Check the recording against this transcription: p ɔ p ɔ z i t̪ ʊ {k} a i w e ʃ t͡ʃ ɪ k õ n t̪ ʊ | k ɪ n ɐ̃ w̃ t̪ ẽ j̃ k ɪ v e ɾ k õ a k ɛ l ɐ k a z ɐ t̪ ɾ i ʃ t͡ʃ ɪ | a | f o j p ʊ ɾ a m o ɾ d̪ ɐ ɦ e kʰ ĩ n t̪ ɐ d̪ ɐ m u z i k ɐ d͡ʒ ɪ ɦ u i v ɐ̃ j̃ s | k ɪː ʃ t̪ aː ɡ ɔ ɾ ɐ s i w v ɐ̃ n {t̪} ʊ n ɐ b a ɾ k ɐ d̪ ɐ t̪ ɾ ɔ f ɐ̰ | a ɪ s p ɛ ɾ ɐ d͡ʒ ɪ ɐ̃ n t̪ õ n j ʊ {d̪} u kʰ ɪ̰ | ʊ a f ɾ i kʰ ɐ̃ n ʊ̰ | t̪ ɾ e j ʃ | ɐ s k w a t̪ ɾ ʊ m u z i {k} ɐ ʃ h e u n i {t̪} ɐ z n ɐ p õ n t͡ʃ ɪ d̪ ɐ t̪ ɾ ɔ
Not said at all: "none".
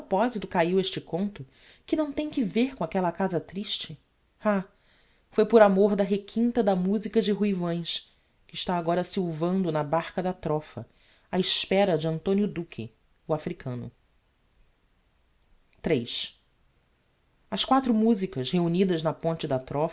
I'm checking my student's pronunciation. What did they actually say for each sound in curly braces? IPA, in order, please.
k, d̪, d̪, k, d̪

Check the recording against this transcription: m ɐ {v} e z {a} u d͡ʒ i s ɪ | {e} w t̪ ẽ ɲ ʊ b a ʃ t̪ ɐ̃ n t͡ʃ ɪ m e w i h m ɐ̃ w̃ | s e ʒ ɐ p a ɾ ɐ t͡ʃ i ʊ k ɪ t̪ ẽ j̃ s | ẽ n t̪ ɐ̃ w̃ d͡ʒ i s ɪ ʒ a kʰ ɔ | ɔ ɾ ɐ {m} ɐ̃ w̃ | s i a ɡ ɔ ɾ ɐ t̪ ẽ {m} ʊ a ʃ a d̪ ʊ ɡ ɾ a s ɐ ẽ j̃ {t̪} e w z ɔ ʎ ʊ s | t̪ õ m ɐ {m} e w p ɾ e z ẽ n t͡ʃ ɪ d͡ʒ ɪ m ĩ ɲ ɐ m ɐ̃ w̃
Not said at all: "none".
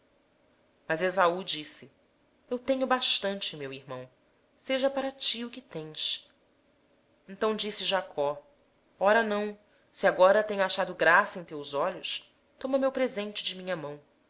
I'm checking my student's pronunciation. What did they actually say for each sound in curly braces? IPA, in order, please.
z, a, e, n, ɲ, t̪, m

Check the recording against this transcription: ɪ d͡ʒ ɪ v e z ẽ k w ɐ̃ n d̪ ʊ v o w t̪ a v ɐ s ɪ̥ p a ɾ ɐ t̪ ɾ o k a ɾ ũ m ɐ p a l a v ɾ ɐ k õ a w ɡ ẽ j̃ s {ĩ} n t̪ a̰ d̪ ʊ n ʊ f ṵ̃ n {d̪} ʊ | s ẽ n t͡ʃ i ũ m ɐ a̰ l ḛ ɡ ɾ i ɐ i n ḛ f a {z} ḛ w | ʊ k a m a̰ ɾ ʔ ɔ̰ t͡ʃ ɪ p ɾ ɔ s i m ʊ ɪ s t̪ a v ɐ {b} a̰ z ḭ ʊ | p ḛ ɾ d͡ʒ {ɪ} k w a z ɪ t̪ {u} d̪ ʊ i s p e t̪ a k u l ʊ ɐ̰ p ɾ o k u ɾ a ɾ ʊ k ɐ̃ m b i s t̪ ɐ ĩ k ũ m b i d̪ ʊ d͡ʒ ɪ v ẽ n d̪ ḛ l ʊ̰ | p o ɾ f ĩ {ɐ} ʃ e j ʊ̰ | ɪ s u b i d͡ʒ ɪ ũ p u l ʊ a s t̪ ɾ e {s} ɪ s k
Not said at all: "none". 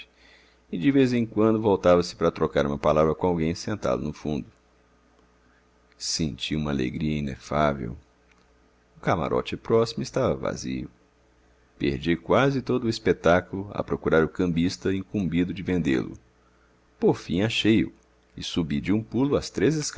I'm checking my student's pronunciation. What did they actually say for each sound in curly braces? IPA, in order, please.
ẽ, d̪, v, v, i, o, a, z

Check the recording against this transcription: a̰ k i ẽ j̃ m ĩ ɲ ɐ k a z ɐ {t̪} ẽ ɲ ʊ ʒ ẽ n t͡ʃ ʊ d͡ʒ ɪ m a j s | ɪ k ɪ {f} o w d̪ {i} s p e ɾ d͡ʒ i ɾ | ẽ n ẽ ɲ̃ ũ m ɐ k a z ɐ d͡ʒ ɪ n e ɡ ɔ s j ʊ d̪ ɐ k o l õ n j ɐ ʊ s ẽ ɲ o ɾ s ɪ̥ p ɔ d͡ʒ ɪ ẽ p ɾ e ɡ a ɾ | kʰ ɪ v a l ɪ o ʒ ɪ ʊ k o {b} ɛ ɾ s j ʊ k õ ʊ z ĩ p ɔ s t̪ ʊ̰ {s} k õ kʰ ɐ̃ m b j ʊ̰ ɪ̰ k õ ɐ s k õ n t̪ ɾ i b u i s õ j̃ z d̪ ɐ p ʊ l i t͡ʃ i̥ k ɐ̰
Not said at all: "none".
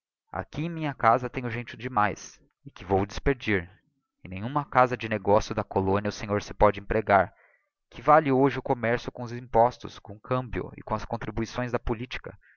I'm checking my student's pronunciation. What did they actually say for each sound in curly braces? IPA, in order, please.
t̪, v, ɪ, m, s

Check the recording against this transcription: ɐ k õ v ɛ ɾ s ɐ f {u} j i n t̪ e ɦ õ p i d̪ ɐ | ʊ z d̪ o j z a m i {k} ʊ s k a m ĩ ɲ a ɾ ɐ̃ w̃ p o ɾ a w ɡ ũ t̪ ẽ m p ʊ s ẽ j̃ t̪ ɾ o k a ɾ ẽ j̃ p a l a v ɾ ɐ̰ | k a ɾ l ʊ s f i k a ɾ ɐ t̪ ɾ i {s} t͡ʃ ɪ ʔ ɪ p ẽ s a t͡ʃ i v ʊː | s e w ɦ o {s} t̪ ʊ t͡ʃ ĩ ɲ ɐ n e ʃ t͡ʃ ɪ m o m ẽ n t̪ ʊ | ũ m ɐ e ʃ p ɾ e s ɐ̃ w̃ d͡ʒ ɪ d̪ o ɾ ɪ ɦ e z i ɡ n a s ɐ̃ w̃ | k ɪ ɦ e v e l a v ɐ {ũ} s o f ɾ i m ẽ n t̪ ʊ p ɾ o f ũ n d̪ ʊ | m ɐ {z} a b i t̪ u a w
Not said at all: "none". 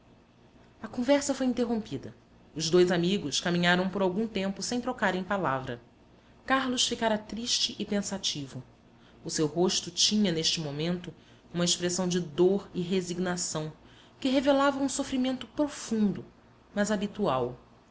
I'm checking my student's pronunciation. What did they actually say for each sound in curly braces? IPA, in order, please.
o, ɡ, ʃ, ʃ, ũ, z

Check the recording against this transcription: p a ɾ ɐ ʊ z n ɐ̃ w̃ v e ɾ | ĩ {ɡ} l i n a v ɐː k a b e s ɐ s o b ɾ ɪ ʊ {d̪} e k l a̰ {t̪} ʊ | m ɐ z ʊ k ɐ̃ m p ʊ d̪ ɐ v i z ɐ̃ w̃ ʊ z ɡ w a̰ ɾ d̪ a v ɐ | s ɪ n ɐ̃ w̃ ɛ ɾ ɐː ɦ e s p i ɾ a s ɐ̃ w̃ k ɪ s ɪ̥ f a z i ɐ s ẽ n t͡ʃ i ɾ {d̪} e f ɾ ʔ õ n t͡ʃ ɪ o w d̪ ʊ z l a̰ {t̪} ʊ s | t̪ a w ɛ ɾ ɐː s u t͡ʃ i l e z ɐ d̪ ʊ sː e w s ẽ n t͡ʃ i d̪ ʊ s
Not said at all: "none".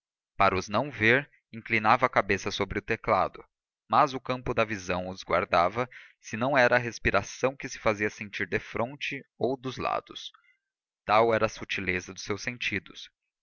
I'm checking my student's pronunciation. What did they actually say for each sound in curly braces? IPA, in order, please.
k, t̪, d̪, d̪, d̪

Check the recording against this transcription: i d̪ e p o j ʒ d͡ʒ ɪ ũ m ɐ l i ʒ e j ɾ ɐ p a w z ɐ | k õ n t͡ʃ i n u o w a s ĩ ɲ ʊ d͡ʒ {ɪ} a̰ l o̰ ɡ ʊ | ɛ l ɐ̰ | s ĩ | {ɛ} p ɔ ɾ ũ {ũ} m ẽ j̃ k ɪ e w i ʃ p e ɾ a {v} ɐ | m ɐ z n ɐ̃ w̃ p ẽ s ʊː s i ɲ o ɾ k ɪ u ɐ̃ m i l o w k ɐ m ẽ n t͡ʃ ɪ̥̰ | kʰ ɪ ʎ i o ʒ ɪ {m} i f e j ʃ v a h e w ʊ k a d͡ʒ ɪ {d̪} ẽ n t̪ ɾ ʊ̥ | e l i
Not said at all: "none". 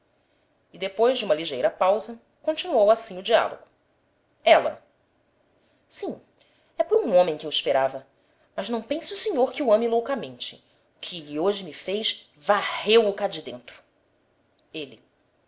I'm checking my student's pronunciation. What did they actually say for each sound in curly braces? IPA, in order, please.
i, ɛ, õ, v, m, d̪

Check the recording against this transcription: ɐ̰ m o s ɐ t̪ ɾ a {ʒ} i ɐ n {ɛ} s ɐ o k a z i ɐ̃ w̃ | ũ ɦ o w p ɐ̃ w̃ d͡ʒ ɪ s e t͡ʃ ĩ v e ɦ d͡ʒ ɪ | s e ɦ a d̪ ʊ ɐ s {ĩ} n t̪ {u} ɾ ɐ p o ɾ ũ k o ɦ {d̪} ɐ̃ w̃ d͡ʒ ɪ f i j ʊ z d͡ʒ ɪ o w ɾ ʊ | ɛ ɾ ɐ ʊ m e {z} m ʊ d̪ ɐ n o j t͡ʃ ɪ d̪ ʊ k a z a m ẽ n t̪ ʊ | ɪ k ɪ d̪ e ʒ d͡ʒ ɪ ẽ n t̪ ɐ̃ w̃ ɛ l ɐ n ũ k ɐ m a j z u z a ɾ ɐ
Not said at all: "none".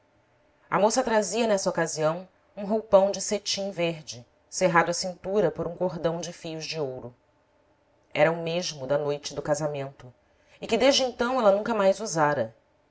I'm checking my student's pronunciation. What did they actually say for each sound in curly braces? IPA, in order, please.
z, ɛ, ĩ, u, d̪, ʒ

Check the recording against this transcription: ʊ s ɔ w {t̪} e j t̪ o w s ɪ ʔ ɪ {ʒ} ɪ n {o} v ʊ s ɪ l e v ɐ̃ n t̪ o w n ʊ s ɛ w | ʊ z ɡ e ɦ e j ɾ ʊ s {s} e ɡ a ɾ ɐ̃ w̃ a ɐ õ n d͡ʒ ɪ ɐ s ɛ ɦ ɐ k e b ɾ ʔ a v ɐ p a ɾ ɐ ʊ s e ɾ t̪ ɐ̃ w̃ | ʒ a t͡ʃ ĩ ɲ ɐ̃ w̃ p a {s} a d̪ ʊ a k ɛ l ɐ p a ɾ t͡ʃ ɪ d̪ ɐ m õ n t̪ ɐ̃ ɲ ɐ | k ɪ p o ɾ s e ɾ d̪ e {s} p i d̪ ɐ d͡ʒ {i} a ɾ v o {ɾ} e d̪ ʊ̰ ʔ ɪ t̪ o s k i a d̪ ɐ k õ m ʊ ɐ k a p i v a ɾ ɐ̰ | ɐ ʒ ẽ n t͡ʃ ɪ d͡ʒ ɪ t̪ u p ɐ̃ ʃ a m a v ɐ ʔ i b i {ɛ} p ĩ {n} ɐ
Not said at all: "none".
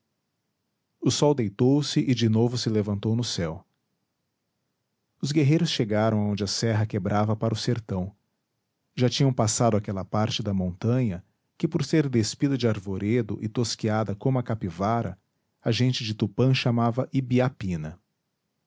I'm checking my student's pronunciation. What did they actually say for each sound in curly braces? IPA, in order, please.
d̪, d͡ʒ, o, ʃ, s, s, ɪ, ɾ, a, n

